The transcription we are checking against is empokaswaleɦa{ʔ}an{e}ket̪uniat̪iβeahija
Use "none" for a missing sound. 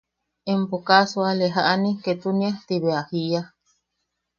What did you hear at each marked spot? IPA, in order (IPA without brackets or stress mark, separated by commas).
ʔ, i